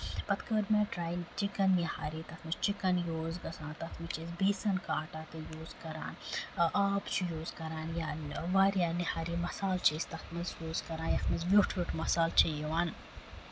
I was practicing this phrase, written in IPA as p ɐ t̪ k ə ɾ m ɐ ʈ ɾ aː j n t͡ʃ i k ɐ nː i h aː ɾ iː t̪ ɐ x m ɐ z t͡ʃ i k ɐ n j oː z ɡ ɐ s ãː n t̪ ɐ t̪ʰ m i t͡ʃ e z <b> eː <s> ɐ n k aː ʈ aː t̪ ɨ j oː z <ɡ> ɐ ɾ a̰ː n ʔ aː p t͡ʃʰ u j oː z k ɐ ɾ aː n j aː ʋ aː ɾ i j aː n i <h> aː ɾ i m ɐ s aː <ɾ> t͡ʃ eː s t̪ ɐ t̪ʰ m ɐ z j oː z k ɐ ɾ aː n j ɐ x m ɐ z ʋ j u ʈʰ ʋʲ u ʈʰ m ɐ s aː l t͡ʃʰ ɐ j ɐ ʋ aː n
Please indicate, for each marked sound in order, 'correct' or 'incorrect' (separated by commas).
correct, correct, incorrect, correct, incorrect